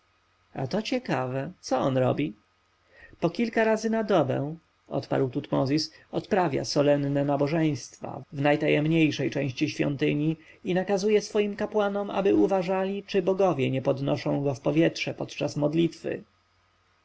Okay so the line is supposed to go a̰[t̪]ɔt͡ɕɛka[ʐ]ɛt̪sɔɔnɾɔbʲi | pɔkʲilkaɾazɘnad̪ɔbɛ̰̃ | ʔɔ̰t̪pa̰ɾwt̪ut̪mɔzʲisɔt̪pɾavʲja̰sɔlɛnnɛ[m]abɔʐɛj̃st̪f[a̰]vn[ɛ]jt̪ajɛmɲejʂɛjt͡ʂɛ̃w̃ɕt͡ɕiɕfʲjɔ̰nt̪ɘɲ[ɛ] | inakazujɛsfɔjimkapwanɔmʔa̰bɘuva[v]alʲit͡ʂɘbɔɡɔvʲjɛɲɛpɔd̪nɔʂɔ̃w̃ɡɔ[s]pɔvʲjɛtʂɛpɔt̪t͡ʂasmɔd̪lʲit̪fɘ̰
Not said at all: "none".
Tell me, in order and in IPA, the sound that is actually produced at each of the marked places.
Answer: t̪, v, n, a̰, a, i, ʐ, f

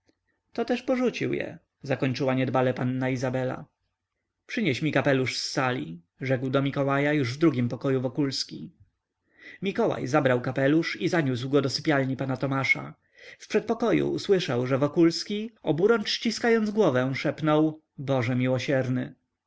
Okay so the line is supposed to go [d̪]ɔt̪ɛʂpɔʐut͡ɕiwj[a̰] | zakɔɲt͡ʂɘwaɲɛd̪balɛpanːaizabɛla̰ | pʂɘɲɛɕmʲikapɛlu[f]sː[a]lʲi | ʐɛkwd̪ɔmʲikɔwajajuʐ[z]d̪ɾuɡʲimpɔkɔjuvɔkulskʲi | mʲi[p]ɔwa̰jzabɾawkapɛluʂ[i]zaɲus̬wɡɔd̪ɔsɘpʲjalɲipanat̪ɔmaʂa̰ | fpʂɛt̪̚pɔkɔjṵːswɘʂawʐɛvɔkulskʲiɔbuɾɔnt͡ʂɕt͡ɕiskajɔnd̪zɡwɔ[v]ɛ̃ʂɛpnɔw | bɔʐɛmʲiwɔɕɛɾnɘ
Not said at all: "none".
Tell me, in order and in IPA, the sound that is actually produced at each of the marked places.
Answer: t̪, ɛ̰, ʂ, a, v, k, i, v

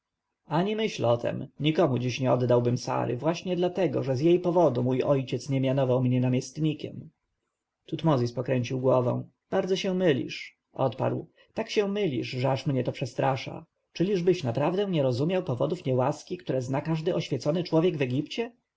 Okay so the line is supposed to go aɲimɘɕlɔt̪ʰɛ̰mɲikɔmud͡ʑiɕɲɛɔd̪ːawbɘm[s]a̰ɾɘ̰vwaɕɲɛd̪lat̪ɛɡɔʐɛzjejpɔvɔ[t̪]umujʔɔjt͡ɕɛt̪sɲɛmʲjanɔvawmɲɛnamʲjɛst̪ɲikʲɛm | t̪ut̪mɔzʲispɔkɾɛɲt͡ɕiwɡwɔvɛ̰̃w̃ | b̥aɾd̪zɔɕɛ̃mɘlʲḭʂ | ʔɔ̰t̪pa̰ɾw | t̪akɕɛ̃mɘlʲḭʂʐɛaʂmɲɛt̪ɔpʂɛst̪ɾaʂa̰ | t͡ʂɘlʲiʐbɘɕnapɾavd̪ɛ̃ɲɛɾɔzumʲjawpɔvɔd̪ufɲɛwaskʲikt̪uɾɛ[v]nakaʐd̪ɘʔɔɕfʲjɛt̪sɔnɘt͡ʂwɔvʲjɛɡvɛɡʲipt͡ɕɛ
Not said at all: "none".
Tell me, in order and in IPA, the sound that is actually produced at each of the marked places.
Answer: s, d̪, z

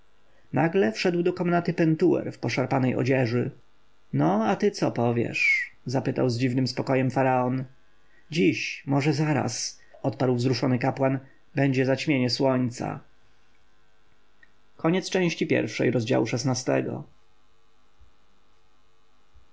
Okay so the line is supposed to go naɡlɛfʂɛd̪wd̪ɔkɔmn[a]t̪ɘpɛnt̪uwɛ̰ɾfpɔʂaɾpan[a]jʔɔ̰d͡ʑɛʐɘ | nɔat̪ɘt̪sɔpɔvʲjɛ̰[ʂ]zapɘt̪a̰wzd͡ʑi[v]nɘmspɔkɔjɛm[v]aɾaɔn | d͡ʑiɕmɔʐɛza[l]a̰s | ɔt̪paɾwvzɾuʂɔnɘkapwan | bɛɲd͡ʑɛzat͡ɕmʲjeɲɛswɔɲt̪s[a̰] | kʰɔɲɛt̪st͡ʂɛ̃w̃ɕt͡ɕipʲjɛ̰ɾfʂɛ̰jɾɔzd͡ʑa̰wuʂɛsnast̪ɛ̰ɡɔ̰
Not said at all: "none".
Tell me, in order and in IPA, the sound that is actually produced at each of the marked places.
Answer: a, ɛ, ʂ, v, f, ɾ, a̰

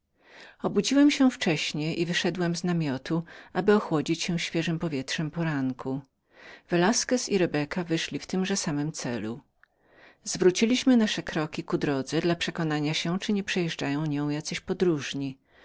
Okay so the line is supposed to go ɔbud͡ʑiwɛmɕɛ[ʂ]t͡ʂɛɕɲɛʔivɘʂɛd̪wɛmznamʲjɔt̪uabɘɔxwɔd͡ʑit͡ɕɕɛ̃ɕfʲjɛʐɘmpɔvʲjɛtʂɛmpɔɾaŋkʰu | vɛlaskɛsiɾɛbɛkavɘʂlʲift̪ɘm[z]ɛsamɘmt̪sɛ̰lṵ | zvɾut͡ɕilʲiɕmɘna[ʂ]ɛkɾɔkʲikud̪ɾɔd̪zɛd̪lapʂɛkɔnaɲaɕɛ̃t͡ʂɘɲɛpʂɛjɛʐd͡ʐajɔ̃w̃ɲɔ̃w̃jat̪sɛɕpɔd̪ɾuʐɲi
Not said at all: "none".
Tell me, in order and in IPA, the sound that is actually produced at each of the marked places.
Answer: f, ʐ, ʂ

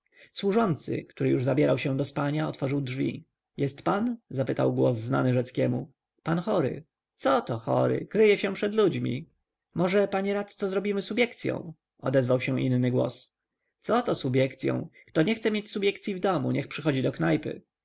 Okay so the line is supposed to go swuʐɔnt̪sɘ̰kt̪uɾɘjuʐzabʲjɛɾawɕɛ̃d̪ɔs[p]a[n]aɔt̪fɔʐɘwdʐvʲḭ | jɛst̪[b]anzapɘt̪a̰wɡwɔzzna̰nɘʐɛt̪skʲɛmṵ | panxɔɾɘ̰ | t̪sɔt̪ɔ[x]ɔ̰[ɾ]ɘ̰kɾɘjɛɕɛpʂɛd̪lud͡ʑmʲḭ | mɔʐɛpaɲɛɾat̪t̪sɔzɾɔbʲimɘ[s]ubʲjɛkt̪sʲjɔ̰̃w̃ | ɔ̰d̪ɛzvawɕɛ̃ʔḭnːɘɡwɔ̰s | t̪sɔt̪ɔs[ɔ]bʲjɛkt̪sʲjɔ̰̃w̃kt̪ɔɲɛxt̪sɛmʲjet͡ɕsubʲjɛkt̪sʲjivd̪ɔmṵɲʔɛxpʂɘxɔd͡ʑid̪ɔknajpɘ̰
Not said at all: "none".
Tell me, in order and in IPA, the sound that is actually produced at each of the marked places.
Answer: p, ɲ, p, x, ɾ, s, u

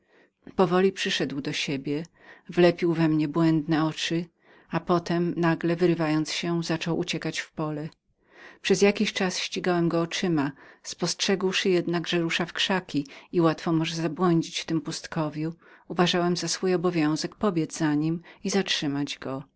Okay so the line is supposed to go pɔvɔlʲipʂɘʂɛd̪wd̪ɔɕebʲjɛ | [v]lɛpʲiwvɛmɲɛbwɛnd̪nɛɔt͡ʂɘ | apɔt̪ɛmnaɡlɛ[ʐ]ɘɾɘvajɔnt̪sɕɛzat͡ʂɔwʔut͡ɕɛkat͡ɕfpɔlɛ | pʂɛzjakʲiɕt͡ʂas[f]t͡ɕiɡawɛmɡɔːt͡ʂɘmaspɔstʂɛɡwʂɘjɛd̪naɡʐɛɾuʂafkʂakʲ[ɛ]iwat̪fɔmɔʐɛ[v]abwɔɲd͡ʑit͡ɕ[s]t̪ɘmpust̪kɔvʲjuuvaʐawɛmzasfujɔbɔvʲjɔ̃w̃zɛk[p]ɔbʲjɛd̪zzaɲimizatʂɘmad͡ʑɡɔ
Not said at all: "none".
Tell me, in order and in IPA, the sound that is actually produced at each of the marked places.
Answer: v, v, ɕ, i, z, f, p

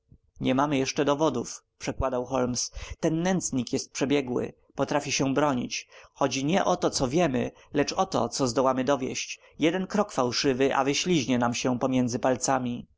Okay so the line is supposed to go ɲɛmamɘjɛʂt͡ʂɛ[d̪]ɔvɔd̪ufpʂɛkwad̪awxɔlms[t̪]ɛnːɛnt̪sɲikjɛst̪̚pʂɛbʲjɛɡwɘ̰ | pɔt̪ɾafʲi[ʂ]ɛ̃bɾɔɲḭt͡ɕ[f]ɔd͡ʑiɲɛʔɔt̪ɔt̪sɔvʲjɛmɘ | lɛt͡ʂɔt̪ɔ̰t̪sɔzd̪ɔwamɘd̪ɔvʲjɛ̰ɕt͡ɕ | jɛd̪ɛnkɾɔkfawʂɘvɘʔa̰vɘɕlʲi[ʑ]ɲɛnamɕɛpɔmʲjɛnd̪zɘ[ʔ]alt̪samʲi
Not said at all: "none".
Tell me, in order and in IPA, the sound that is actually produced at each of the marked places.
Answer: d̪, t̪, ɕ, x, ʑ, p

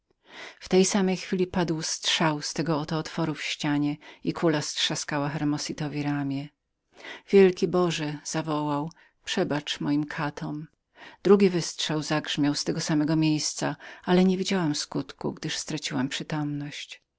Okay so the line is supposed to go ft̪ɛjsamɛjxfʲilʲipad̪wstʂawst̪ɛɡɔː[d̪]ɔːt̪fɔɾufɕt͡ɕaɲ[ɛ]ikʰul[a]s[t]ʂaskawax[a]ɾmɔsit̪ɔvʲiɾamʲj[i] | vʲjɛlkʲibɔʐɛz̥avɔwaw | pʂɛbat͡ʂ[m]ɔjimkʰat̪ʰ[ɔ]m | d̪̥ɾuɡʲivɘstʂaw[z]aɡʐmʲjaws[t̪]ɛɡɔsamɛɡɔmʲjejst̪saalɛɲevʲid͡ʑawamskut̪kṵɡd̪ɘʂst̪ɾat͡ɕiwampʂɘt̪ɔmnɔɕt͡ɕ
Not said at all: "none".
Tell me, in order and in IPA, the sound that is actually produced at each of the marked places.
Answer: t̪, ɛ, a, t, ɛ, ɛ, m, ɔ, z, t̪

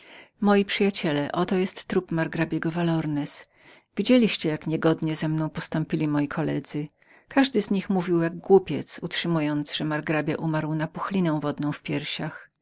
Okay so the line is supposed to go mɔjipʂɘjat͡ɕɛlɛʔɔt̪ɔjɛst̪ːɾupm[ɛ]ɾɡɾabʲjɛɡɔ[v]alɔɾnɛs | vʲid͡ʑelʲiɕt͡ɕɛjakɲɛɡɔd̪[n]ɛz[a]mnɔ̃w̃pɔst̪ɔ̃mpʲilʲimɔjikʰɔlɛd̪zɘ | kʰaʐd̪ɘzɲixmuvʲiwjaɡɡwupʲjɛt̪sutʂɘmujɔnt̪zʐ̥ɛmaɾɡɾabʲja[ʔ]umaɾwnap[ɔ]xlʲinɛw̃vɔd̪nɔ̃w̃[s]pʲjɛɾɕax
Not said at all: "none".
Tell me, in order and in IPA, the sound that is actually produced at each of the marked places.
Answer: a, v, ɲ, ɛ, ʔ, u, f

